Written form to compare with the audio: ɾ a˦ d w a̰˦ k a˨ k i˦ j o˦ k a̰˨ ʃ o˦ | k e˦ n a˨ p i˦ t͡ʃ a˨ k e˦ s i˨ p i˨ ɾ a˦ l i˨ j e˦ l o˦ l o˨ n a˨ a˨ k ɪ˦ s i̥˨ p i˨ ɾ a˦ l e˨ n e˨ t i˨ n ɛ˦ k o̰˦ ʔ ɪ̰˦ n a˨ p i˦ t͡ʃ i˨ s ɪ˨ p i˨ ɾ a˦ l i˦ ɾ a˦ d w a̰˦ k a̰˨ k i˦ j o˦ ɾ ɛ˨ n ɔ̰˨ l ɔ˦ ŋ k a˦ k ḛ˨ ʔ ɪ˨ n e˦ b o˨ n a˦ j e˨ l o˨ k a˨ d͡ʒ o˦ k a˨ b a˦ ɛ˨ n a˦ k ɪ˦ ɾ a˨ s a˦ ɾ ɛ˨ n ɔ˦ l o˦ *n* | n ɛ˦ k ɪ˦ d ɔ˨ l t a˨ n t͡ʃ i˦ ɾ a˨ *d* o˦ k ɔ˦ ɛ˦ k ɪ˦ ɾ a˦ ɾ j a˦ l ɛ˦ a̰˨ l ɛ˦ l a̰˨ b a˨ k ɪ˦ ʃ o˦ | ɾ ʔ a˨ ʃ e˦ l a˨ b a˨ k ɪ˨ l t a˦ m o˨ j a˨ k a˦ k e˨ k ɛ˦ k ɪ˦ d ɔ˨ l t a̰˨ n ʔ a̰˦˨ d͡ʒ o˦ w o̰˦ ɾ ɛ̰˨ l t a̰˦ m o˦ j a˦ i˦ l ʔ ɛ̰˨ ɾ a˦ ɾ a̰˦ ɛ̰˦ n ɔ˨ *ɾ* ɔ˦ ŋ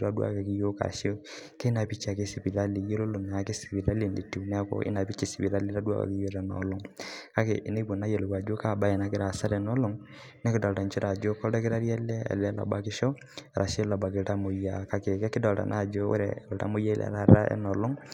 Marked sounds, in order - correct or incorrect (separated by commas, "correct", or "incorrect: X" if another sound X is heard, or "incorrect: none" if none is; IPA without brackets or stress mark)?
incorrect: ŋ, incorrect: d͡ʒ, incorrect: l